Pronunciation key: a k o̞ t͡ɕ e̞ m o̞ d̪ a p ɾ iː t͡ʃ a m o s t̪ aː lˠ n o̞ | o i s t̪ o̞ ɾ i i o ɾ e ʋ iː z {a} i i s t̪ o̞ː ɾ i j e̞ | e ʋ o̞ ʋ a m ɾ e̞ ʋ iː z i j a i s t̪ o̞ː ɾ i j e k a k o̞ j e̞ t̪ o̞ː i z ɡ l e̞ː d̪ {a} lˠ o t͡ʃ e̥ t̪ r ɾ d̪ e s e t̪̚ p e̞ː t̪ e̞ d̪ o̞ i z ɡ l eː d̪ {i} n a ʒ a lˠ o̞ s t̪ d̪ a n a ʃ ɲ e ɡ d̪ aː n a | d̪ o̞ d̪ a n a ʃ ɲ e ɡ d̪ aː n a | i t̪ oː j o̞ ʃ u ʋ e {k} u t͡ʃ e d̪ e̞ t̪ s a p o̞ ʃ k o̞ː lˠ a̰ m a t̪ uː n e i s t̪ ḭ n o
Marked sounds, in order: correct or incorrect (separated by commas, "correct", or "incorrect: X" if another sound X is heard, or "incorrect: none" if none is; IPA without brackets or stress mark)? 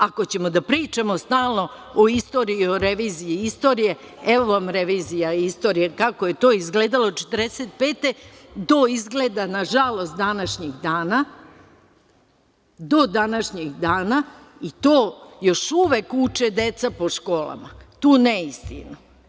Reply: incorrect: i, correct, incorrect: a, correct